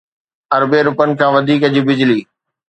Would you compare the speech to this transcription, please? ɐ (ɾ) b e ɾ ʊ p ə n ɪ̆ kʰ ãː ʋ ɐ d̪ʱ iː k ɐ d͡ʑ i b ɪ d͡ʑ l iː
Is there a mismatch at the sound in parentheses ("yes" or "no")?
no